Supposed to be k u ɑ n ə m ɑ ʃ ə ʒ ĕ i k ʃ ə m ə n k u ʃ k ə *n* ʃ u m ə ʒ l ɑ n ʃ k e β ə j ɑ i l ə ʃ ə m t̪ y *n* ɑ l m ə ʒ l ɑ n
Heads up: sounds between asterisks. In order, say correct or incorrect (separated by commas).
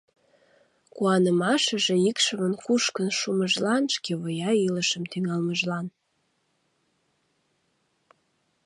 correct, incorrect